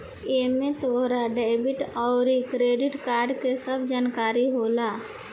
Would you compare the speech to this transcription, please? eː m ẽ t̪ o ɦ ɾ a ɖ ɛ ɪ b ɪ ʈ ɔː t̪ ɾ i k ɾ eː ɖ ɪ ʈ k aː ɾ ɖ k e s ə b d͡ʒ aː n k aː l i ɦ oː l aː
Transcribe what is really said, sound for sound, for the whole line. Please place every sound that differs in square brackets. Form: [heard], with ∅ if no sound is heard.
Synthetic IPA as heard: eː m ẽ t̪ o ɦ ɾ a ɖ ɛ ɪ b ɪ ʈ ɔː [∅] ɾ i k ɾ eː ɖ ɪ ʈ k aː ɾ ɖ k e s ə b d͡ʒ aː n k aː [ɾ] i ɦ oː l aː